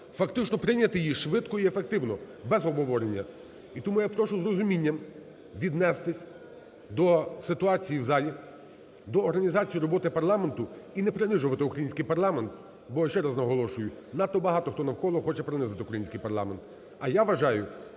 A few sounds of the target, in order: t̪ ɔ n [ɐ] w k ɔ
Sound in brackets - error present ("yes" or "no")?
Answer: no